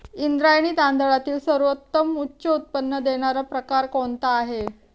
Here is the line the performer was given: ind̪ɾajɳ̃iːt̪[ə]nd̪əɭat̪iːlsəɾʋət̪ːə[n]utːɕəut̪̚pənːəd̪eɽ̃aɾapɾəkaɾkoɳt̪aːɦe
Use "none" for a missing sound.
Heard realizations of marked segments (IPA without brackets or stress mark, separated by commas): a, m